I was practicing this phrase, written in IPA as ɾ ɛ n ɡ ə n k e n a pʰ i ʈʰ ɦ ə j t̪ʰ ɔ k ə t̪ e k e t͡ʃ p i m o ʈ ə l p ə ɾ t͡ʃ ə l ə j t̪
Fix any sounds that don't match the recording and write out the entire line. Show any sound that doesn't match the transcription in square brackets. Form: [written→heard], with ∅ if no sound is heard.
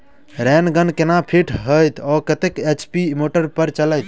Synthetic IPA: ɾ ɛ n ɡ ə n k e n a pʰ i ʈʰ ɦ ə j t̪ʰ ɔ k ə t̪ e k e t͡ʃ p i m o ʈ ə [l→ɾ] p ə ɾ t͡ʃ ə l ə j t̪

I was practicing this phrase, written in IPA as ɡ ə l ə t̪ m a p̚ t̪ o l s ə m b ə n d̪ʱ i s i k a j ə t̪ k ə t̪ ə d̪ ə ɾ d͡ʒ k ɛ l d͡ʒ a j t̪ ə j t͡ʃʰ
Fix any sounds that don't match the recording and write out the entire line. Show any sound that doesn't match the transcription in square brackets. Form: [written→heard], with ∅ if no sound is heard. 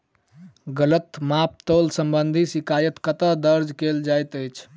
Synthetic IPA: ɡ ə l ə t̪ m a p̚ t̪ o l s ə m b ə n d̪ʱ i s i k a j ə t̪ k ə t̪ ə d̪ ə ɾ d͡ʒ k [ɛ→e] l d͡ʒ a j t̪ ə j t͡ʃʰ

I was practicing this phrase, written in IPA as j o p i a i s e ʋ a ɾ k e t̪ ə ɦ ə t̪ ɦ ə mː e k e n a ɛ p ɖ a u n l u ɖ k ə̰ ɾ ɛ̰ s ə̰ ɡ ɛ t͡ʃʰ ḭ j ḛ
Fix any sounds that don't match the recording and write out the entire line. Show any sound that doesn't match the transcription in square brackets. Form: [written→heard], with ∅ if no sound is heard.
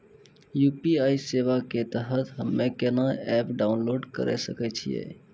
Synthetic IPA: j [o→u] p i a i s e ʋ a [ɾ→∅] k e t̪ ə ɦ ə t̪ ɦ ə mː e k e n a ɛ p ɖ a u n l [u→o] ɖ k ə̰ ɾ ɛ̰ s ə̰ [ɡ→k] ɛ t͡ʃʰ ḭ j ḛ

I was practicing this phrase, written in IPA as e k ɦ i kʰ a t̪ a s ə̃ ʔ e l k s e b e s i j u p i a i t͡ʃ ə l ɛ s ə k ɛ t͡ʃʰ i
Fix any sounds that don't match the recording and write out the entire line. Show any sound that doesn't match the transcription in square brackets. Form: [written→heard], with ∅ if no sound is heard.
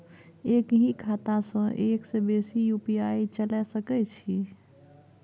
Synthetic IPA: e k ɦ i kʰ a t̪ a s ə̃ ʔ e [l→∅] k s e b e s i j u p i a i t͡ʃ ə l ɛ s ə k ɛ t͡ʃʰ i

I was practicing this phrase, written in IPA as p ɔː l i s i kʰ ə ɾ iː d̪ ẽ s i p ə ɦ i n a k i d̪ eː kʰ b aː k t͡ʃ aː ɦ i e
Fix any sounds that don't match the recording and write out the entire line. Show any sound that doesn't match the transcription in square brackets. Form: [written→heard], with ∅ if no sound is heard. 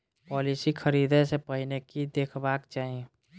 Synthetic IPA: p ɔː l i s i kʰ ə ɾ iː d̪ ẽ s [i→e] p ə ɦ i n [a→e] k i d̪ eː kʰ b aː k t͡ʃ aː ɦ i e

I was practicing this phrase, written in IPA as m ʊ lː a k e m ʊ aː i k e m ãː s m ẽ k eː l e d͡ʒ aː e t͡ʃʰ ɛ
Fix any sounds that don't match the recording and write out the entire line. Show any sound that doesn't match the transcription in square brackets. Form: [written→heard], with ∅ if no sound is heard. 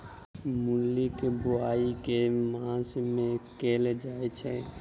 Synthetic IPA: m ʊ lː [a→i] k e [m→b] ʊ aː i k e m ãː s m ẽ k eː l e d͡ʒ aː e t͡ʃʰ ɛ

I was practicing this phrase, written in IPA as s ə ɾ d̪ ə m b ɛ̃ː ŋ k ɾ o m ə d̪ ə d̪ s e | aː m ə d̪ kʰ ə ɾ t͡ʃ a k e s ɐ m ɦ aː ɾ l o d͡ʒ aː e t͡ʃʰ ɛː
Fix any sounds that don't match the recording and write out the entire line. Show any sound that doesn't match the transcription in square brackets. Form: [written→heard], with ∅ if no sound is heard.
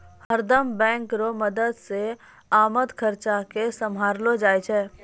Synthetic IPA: [s→h] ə ɾ d̪ ə m b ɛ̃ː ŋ k ɾ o m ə d̪ ə d̪ s e | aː m ə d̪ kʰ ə ɾ t͡ʃ a k e s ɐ m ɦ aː ɾ l o d͡ʒ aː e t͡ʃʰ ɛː

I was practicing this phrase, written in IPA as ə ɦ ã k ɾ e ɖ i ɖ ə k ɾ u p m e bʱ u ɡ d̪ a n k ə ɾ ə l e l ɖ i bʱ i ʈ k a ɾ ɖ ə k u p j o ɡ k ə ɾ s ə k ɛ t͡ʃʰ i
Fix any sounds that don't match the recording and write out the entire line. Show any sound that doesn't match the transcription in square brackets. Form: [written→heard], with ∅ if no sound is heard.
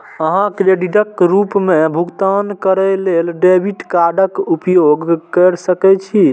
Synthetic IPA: ə ɦ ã k ɾ e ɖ i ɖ ə k ɾ u p m e bʱ u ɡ [d̪→t̪] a n k ə ɾ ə l e l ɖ [i→e] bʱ i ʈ k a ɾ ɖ ə k u p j o ɡ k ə ɾ s ə k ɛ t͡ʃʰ i

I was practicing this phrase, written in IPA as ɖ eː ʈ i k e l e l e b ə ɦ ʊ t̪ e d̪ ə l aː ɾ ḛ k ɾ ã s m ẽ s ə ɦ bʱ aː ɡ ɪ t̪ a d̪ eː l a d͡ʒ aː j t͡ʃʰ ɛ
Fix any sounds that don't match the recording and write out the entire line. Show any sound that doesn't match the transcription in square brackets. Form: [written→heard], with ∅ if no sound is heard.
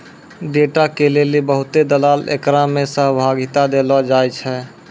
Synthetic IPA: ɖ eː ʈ [i→a] k e l e l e b ə ɦ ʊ t̪ e d̪ ə l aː [ɾ→l] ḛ k ɾ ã [s→∅] m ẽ s ə ɦ bʱ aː ɡ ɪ t̪ a d̪ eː l a d͡ʒ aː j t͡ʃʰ ɛ

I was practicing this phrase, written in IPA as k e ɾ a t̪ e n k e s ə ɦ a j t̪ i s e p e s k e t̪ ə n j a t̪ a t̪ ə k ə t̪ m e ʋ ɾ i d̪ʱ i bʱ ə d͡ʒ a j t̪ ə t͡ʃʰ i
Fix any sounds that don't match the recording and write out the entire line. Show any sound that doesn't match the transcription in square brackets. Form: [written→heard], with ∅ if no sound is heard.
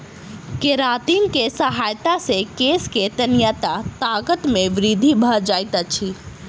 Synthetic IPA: k e ɾ a t̪ [e→i] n k e s ə ɦ a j t̪ [i→a] s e [p→k] e s k e t̪ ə n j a t̪ a t̪ [ə→a] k ə t̪ m e ʋ ɾ i d̪ʱ i bʱ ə d͡ʒ a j t̪ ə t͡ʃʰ i

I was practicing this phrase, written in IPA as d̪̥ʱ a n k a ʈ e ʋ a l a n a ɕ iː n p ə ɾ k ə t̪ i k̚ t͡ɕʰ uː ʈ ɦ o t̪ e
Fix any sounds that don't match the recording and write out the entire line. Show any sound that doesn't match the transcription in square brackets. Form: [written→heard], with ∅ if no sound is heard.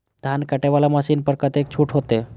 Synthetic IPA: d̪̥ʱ a n k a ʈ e ʋ a l a [n→m] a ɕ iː n p ə ɾ k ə t̪ [i→e] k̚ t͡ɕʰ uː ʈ ɦ o t̪ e

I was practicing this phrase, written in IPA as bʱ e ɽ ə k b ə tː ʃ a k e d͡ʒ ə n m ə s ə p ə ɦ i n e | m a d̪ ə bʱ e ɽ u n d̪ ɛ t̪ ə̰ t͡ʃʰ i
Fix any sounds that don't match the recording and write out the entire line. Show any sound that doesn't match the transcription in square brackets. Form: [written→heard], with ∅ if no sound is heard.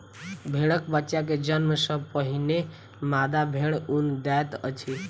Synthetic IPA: bʱ e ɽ ə k b ə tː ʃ a k e d͡ʒ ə n m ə s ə p ə ɦ i n e | m a d̪ [ə→a] bʱ e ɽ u n d̪ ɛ t̪ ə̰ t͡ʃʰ i

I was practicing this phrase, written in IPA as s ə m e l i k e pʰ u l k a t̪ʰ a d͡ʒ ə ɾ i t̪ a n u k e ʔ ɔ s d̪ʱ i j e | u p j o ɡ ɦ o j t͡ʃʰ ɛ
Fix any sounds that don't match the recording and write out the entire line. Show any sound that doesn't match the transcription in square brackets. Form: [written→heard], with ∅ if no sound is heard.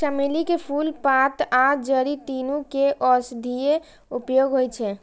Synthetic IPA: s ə m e l i k e pʰ u l [k→p] a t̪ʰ a d͡ʒ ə ɾ i t̪ [a→i] n u k e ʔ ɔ s d̪ʱ i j e | u p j o ɡ ɦ o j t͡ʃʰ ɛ

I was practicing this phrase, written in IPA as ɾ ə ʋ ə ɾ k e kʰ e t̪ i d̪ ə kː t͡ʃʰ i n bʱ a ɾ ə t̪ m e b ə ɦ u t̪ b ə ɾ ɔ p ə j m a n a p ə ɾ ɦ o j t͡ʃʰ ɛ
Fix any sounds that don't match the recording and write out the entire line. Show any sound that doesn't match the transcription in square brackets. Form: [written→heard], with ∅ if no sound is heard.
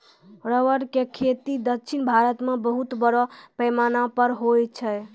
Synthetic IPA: ɾ ə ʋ ə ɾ k e kʰ e t̪ i d̪ ə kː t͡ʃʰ i n bʱ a ɾ ə t̪ m e b ə ɦ u t̪ b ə ɾ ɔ p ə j m a n a p ə ɾ ɦ o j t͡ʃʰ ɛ

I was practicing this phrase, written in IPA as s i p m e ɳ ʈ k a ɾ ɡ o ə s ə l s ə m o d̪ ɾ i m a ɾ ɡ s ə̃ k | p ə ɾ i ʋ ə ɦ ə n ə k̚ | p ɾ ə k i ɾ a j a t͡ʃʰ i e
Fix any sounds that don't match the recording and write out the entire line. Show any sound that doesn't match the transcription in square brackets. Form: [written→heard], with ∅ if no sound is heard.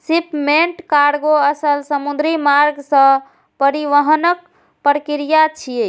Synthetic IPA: s i p m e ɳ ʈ k a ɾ ɡ o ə s ə l s ə m [o→u] d̪ ɾ i m a ɾ ɡ s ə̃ [k→∅] | p ə ɾ i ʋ ə ɦ ə n ə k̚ | p ɾ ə k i ɾ [a→i] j a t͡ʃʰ i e

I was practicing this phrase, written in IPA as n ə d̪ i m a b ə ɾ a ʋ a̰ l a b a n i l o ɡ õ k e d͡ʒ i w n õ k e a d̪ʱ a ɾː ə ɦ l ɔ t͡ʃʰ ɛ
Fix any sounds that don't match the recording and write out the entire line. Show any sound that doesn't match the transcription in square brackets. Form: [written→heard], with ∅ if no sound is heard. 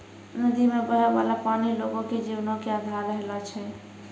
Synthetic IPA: n ə d̪ i m [a→e] b ə ɾ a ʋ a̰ l a [b→p] a n i l o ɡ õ k e d͡ʒ i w n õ k e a d̪ʱ a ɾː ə ɦ l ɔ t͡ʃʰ ɛ

